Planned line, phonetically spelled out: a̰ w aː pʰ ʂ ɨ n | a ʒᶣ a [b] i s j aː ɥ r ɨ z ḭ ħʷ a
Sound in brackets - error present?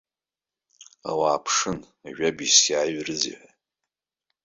no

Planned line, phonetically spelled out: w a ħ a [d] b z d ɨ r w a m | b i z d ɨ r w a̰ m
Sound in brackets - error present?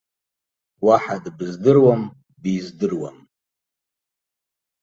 no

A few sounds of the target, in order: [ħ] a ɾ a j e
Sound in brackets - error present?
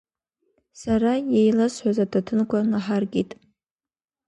yes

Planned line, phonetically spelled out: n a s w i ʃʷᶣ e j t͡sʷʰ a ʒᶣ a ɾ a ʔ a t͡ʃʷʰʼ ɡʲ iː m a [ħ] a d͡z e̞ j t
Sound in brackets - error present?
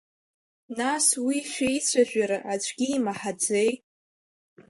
no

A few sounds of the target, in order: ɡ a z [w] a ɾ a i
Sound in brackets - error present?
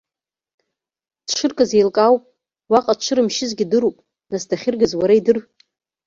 no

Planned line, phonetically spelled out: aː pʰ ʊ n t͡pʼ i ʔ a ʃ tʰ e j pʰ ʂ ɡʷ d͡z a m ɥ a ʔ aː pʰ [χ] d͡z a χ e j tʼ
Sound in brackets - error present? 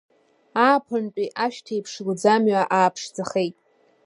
yes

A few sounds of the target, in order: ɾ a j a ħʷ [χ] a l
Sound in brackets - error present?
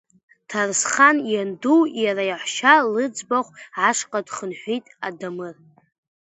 yes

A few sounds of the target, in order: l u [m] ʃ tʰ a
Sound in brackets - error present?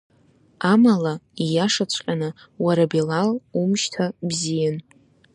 no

